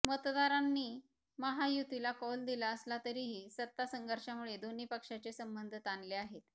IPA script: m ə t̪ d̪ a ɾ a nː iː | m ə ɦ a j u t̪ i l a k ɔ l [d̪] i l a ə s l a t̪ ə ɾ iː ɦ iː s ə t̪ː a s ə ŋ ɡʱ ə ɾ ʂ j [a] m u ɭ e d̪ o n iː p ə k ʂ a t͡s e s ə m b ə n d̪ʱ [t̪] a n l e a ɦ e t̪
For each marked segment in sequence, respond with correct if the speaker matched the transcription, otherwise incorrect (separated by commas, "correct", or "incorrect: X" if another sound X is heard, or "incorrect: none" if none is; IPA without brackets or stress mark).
correct, correct, correct